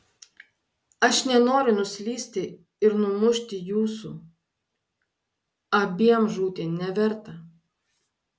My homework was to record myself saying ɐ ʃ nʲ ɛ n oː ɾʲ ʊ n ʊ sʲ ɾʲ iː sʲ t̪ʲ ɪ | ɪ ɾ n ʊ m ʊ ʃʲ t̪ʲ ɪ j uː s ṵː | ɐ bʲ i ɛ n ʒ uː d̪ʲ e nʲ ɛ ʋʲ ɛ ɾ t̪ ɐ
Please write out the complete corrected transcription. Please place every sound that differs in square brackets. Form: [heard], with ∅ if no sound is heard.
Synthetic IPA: ɐ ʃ nʲ ɛ n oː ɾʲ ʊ n ʊ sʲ [lʲ] iː sʲ t̪ʲ ɪ | ɪ ɾ n ʊ m ʊ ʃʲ t̪ʲ ɪ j uː s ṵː | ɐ bʲ i ɛ [m] ʒ uː [t̪ʲ] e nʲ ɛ ʋʲ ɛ ɾ t̪ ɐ